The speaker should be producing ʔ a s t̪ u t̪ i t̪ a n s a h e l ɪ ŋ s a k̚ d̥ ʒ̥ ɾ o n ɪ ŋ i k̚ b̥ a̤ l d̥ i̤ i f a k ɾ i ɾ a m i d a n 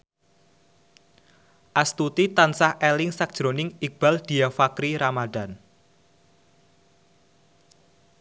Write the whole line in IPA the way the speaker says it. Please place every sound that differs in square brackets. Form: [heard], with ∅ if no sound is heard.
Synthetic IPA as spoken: ʔ a s t̪ u t̪ i t̪ a n s a h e l ɪ ŋ s a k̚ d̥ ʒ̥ ɾ o n ɪ ŋ i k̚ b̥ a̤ l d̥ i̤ [a] f a k ɾ i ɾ a m [a] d a n